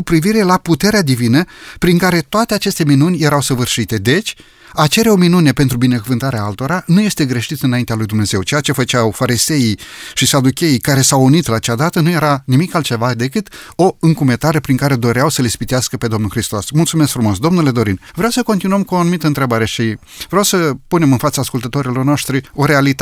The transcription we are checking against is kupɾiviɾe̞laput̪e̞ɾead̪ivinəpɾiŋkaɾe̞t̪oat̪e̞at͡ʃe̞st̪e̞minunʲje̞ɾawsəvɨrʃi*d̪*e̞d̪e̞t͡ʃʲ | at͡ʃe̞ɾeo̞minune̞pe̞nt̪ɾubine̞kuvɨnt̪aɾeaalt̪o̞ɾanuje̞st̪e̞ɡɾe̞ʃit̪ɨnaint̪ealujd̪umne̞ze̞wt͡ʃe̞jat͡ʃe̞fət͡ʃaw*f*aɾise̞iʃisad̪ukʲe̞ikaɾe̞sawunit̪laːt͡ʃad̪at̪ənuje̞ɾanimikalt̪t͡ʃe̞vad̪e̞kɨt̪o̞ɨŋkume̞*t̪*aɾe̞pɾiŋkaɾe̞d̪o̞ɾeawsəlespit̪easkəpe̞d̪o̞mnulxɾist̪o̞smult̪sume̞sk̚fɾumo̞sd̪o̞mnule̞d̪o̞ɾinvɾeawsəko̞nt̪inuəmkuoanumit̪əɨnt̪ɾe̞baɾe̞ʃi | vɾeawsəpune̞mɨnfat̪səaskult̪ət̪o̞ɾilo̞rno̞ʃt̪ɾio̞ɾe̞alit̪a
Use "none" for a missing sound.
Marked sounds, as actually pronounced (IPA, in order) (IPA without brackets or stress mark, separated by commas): t̪, f, t̪